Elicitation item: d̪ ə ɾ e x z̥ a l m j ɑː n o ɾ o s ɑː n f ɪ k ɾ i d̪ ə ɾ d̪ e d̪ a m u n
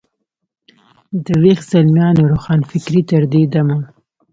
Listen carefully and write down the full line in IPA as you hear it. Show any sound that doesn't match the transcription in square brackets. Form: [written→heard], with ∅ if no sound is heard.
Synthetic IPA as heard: d̪ ə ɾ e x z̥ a l m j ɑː n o ɾ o [s→x] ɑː n f ɪ k ɾ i [d̪→t̪] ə ɾ d̪ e d̪ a m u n